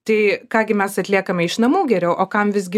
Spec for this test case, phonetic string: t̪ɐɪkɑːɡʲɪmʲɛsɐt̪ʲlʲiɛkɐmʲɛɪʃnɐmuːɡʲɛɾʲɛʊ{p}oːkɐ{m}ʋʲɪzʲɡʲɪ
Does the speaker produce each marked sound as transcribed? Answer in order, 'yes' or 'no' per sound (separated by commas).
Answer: no, yes